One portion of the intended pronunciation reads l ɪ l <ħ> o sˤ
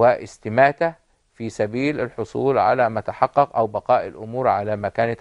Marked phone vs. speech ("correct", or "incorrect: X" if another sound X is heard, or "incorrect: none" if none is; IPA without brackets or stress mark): correct